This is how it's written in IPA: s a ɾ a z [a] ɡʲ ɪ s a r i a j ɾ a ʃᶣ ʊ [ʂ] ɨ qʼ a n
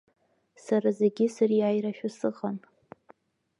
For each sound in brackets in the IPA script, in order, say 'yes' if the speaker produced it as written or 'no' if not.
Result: no, no

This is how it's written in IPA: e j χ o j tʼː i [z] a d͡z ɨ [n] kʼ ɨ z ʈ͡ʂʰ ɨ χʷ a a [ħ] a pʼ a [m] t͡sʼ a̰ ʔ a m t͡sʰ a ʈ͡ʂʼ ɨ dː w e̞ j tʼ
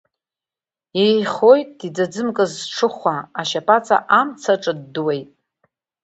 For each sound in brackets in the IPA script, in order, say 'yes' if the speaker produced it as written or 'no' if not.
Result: no, no, no, no

